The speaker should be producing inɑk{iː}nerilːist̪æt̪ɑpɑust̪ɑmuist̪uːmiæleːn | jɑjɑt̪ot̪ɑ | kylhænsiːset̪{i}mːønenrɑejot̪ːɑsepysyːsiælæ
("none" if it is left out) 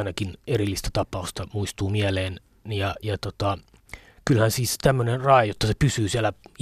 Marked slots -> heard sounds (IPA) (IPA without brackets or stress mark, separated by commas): i, æ